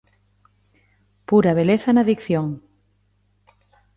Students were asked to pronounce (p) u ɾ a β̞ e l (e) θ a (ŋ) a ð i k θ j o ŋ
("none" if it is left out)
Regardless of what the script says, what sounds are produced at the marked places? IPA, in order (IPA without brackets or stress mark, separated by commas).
p, e, n